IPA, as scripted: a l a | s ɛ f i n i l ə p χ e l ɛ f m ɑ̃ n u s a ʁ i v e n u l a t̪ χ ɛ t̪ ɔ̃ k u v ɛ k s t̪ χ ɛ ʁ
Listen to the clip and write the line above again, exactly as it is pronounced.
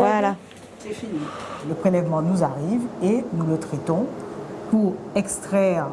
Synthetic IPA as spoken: a l a | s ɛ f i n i l ə p χ e l ɛ v m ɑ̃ n u z a ʁ i v e n u l ə t̪ χ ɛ t̪ ɔ̃ p u ʁ ɛ k s t̪ χ ɛ ʁ